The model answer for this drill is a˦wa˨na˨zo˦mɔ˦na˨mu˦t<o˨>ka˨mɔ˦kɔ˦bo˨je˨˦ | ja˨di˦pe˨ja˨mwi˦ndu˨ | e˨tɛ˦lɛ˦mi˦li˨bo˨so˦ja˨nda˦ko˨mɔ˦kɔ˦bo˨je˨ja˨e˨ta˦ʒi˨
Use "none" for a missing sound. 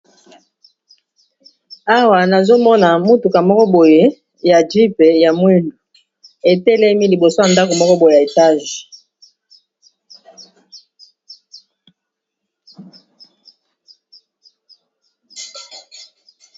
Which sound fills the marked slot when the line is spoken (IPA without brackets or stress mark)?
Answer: u˨